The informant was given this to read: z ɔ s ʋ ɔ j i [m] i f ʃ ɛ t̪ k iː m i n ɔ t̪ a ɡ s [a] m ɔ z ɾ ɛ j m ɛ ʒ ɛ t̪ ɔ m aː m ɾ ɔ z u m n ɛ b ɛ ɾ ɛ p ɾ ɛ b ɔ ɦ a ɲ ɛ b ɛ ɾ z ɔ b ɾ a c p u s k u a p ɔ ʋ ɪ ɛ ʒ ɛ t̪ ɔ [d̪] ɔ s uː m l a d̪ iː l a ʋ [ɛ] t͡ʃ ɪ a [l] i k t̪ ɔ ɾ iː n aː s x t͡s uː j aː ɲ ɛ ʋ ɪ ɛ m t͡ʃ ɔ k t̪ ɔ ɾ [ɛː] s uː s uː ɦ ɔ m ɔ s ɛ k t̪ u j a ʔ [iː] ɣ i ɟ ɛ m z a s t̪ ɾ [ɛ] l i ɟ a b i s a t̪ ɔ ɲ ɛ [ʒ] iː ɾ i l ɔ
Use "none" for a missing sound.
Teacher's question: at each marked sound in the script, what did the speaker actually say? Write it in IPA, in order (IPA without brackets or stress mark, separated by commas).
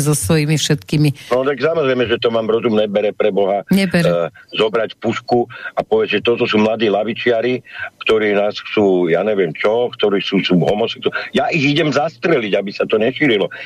m, a, t̪, i, ɾ, iː, i, ɛ, ʃ